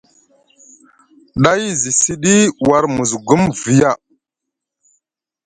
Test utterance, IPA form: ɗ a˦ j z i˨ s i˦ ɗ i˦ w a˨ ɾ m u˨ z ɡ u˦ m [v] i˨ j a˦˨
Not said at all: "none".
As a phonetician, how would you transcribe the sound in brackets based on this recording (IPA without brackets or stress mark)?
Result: v